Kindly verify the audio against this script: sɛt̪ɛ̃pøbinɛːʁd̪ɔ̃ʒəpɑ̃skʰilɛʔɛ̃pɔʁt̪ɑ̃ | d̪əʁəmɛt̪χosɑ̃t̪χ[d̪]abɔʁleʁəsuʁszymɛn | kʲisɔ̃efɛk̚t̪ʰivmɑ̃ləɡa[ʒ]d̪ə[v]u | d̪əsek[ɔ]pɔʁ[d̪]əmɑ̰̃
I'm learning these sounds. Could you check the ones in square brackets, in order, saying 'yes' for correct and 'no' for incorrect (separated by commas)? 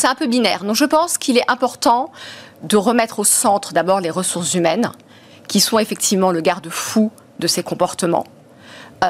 yes, no, no, no, no